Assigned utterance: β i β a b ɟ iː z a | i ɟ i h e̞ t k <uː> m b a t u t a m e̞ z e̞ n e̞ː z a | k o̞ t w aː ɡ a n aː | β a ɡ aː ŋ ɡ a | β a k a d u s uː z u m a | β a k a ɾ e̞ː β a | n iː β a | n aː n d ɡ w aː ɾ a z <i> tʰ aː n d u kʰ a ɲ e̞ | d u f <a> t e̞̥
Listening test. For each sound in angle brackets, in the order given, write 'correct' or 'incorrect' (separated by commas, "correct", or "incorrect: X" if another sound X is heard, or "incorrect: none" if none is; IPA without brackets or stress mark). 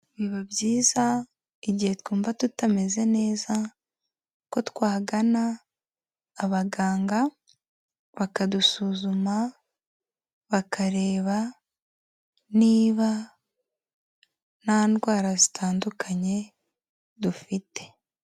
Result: correct, correct, incorrect: i